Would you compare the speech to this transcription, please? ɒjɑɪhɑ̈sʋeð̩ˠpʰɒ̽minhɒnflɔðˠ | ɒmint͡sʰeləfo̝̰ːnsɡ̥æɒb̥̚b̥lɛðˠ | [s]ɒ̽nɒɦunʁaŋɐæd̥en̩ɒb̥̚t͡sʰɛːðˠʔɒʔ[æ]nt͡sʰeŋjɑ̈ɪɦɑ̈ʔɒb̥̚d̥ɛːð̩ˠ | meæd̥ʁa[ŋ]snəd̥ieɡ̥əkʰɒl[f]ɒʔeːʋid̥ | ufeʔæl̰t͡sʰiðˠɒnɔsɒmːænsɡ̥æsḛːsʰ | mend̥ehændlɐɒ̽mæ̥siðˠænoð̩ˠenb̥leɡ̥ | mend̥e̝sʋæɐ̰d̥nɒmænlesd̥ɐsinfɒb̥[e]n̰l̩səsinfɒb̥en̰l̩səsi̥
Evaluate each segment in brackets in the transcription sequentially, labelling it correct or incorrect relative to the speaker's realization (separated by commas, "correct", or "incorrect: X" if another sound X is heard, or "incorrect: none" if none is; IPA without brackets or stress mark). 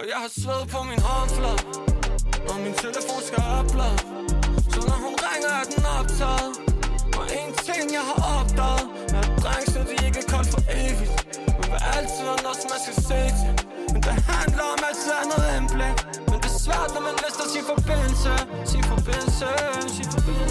correct, incorrect: e, correct, correct, correct